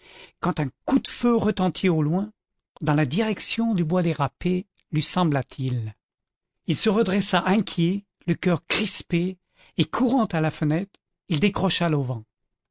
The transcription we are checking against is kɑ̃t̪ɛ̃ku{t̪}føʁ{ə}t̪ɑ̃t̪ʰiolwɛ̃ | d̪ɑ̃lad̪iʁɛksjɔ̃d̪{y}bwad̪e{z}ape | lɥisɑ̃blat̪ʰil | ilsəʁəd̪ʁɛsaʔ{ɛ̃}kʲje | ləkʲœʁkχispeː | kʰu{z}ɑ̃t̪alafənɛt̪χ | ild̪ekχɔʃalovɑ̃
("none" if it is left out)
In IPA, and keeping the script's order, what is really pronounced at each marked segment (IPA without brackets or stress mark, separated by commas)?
d̪, ə, y, ʁ, ɛ̃, ʁ